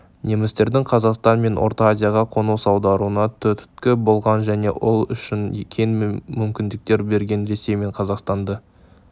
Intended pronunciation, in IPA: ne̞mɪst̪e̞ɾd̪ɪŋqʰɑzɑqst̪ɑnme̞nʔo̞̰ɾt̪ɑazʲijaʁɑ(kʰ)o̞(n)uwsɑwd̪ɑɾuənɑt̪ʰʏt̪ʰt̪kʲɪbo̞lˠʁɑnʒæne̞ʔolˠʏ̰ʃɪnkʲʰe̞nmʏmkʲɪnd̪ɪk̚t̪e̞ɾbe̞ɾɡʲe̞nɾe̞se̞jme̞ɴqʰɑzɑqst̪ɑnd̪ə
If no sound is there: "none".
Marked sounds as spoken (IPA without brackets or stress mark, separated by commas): qʰ, n